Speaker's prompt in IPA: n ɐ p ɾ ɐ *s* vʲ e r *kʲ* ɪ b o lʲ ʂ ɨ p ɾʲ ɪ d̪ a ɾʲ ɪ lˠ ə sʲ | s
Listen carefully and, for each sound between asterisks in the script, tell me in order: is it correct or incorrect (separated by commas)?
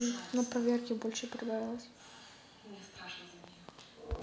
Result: incorrect, correct